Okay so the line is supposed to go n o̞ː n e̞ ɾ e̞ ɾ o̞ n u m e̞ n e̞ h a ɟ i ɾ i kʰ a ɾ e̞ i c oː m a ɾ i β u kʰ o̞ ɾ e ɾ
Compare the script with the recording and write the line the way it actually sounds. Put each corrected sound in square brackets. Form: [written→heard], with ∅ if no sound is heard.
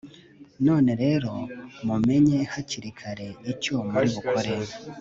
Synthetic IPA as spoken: n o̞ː n e̞ ɾ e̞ ɾ o̞ [n→m] u m e̞ [n→ɲ] e̞ h a [ɟ→c] i ɾ i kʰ a ɾ e̞ i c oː m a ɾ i β u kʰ o̞ ɾ e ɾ